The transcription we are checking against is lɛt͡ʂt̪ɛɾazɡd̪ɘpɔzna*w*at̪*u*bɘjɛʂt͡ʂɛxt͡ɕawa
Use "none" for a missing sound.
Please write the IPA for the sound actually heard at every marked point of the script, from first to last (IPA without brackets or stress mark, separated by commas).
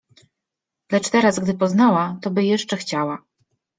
w, ɔ